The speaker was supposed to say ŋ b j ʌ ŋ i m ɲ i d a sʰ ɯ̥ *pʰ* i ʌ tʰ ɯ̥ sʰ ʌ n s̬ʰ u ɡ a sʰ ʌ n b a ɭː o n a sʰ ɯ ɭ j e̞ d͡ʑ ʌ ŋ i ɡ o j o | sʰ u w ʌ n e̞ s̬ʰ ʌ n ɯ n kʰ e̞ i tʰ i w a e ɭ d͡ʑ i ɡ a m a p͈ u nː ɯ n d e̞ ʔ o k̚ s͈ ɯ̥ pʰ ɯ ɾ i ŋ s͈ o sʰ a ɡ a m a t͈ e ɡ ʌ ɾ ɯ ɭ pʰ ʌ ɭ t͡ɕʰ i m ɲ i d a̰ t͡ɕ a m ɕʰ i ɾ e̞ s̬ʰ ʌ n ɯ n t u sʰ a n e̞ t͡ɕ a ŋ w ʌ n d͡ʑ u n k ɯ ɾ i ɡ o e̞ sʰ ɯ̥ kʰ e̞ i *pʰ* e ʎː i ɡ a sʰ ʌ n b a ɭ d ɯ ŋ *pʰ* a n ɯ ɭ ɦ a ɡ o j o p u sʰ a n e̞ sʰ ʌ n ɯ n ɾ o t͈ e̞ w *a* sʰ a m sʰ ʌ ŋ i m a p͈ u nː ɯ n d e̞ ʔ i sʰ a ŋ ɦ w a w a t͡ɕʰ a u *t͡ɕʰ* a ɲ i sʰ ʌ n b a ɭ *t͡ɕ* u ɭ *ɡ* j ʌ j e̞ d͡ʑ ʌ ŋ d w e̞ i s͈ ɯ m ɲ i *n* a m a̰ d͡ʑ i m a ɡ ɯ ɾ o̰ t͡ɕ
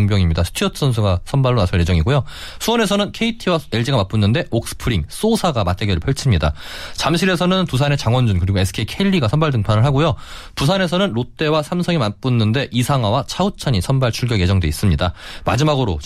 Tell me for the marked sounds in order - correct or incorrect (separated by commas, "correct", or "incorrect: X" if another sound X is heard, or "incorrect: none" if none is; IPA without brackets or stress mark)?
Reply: incorrect: tʰ, incorrect: kʰ, correct, correct, correct, incorrect: t͡ɕʰ, correct, incorrect: d